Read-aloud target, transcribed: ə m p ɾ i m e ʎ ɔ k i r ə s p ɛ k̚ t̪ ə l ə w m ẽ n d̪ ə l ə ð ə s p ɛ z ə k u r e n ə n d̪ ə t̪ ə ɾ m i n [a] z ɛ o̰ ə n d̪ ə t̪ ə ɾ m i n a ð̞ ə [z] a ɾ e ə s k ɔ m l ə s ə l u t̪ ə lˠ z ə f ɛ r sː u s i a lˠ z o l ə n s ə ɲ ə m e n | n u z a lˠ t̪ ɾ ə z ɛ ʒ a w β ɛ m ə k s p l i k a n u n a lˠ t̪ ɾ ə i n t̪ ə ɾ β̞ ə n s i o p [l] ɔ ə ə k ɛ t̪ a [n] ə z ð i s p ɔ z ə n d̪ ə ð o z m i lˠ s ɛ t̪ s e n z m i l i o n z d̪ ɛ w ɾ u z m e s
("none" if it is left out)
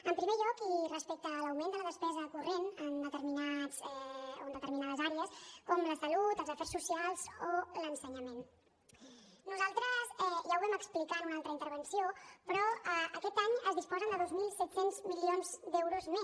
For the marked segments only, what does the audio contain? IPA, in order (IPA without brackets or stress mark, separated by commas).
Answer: a, z, ɾ, ɲ